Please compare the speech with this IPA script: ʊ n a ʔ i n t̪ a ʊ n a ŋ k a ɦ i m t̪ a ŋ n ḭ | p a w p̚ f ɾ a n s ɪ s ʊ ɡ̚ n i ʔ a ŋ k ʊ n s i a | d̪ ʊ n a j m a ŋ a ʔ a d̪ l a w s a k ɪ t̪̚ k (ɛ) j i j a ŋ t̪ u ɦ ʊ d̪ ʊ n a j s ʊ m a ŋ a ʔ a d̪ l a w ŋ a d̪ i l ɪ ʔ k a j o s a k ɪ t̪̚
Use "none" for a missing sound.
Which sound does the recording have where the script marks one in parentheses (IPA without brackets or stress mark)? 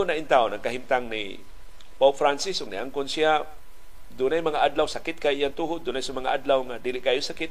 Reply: a